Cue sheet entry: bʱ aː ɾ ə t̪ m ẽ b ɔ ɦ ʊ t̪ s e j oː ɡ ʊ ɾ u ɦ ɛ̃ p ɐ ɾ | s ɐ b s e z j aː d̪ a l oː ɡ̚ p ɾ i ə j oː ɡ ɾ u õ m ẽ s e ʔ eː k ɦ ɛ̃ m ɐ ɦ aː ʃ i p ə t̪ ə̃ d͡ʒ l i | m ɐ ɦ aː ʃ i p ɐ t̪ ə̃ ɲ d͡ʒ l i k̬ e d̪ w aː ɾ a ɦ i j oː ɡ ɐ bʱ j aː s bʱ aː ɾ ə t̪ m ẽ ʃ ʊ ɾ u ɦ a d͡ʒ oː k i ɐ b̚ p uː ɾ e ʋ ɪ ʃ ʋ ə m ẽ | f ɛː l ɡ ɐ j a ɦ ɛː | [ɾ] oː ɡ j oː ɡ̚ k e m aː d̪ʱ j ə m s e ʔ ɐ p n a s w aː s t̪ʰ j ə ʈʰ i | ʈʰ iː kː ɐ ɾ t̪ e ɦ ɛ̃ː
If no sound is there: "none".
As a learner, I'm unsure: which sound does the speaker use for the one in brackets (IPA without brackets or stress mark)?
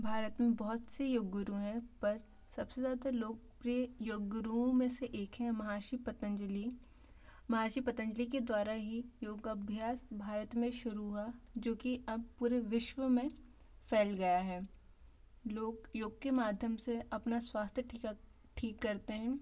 l